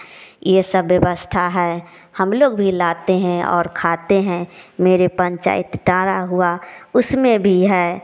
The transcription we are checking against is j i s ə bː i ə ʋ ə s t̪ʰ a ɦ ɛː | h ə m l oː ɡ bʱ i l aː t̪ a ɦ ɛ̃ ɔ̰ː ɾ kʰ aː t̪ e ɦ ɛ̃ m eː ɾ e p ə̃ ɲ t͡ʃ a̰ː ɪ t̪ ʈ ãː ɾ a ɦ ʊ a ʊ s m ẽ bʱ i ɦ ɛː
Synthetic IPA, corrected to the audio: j e s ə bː j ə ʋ ə s t̪ʰ a ɦ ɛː | h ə m l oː ɡ bʱ i l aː t̪ e ɦ ɛ̃ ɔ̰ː ɾ kʰ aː t̪ e ɦ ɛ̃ m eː ɾ e p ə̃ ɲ t͡ʃ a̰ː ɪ t̪ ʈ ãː ɾ a ɦ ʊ a ʊ s m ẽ bʱ i ɦ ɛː